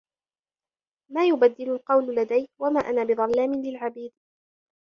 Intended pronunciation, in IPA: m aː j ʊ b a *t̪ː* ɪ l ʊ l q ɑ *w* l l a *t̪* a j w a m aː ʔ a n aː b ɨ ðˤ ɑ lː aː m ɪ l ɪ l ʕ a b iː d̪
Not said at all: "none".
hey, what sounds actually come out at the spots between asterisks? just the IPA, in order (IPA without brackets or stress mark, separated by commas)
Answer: d̪ː, w, d̪